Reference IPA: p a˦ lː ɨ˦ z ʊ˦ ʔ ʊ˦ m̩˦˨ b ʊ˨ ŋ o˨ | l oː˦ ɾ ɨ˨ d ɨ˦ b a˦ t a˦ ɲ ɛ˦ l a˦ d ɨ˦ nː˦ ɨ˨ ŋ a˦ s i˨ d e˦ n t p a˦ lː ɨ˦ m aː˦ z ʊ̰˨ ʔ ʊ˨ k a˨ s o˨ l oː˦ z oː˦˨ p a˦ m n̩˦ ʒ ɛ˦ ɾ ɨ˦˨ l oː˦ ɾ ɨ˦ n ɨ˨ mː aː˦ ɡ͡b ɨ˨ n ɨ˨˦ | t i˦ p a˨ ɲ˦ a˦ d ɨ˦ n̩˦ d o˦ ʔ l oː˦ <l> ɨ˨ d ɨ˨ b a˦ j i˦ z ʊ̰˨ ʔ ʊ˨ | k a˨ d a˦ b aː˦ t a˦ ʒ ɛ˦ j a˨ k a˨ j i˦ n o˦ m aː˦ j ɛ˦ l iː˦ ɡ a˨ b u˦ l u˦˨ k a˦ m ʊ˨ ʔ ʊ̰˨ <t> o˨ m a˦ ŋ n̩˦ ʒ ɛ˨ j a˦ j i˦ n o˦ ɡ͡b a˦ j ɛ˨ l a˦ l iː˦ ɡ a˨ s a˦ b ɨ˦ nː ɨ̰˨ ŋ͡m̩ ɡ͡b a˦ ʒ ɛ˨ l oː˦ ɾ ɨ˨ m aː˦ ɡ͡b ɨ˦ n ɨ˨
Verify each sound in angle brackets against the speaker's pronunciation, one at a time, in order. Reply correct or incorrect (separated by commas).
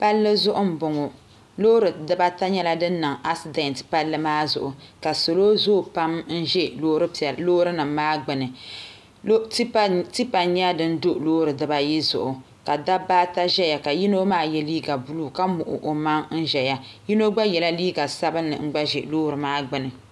incorrect, incorrect